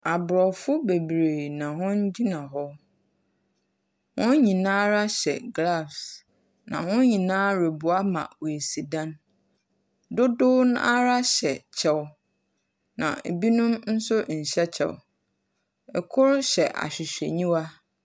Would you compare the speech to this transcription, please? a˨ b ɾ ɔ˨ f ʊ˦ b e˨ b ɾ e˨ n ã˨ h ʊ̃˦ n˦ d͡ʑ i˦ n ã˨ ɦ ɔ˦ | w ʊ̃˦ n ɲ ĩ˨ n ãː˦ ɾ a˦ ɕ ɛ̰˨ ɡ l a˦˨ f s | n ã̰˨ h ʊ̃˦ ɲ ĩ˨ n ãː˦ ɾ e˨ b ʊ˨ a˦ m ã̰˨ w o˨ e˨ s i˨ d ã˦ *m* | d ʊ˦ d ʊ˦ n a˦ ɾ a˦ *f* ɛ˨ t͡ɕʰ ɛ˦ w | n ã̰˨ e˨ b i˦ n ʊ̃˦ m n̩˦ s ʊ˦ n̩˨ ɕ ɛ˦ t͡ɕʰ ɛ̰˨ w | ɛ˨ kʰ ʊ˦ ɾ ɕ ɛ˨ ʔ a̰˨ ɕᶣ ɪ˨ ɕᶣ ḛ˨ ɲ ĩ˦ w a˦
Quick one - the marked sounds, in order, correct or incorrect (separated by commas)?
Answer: incorrect, incorrect